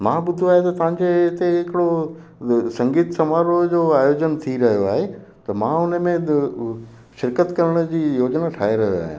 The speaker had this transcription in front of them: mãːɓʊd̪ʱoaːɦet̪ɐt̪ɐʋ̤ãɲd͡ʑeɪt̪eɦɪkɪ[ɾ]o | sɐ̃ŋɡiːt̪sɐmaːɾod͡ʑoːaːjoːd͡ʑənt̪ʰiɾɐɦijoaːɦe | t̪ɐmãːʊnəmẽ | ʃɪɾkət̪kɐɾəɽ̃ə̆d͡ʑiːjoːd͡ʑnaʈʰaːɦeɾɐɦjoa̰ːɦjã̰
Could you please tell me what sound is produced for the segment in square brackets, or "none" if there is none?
ɽ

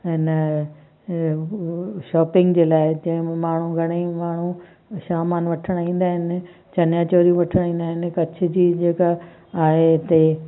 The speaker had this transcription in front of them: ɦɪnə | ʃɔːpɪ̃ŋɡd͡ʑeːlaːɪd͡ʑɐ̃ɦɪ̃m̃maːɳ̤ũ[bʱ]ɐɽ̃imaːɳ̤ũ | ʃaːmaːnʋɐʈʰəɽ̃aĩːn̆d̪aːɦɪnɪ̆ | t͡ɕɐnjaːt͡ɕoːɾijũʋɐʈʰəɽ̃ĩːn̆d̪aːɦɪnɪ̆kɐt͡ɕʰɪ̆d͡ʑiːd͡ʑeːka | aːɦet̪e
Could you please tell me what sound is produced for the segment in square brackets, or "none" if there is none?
ɡʱ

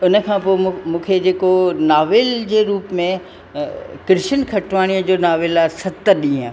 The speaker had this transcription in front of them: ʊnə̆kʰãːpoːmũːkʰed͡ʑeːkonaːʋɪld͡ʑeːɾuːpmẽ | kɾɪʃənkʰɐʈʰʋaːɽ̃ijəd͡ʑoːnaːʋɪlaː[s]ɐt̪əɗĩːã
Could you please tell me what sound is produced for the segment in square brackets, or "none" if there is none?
s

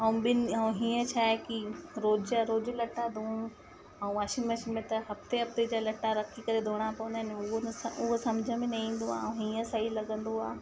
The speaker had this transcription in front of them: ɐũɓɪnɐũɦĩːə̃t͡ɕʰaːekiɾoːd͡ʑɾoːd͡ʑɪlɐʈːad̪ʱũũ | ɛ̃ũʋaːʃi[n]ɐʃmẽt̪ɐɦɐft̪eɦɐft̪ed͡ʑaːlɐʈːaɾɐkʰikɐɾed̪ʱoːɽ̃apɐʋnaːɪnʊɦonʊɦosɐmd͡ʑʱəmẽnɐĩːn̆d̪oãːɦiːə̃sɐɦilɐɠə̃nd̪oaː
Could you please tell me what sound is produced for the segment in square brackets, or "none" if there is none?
m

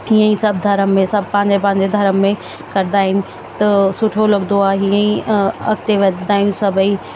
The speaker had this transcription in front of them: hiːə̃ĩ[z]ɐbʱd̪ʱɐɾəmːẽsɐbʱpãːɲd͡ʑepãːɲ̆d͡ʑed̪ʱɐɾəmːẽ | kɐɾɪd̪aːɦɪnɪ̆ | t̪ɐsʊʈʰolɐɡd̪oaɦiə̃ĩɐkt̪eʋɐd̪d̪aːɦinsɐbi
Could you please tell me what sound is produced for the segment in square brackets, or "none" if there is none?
s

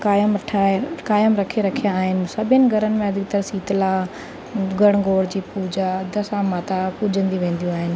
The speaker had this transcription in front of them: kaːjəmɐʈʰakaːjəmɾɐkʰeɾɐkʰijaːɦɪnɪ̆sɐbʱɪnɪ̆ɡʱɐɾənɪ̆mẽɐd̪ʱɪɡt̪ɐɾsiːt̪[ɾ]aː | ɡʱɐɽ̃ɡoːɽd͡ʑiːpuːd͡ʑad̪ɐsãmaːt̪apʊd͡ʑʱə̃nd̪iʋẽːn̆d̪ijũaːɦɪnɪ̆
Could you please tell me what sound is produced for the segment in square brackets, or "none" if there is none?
l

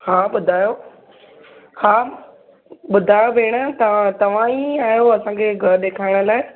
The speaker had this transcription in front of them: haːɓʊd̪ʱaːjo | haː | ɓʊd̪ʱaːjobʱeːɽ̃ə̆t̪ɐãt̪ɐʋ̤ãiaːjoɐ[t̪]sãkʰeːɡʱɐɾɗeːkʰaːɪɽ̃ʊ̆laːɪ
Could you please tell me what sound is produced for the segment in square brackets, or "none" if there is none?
none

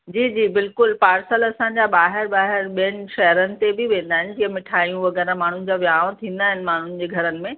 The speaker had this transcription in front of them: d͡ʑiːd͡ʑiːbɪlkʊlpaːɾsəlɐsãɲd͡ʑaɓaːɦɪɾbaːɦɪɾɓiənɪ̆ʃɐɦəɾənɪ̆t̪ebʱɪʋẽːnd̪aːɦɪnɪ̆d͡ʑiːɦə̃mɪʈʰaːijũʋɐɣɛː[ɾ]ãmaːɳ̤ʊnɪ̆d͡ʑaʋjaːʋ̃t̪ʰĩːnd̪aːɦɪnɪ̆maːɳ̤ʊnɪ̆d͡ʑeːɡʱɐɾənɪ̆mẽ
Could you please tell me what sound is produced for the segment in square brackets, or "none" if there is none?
ɾ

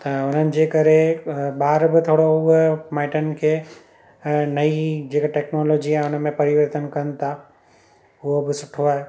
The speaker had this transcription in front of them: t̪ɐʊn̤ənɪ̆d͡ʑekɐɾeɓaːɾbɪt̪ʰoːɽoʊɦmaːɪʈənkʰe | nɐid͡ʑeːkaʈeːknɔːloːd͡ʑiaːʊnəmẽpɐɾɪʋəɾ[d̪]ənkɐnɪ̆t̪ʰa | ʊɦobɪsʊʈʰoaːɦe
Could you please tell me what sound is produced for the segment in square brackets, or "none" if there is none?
t̪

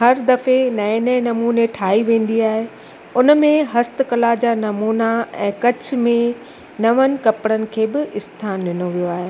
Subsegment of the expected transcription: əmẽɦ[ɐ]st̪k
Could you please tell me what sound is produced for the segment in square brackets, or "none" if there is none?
ɐ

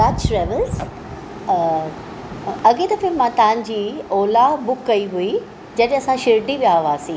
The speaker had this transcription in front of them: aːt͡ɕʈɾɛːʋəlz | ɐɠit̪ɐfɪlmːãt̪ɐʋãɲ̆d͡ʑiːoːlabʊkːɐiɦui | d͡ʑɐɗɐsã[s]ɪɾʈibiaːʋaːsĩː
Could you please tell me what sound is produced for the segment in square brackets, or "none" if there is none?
ʃ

